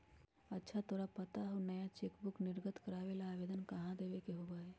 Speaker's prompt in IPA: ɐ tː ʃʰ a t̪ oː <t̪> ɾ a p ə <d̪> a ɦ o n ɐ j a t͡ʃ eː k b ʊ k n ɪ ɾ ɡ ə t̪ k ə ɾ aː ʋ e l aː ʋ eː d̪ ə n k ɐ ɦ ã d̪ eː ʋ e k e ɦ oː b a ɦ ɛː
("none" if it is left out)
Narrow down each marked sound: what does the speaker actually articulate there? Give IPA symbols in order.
none, t̪

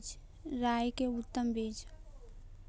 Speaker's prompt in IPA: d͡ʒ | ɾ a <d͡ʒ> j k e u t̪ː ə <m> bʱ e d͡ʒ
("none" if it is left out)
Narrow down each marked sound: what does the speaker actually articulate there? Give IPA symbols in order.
none, m

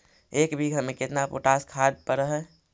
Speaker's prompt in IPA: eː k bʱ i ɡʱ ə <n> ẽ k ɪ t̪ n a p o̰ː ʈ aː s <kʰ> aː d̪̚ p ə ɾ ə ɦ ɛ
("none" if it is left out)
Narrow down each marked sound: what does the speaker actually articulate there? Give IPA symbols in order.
m, kʰ

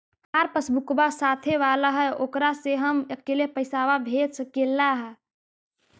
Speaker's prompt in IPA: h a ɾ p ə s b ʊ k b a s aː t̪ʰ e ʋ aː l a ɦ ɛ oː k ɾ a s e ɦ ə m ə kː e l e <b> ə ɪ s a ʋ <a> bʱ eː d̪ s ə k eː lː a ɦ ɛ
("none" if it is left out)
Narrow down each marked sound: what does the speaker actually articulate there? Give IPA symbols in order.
p, a

